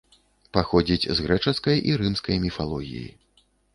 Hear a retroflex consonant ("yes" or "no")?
yes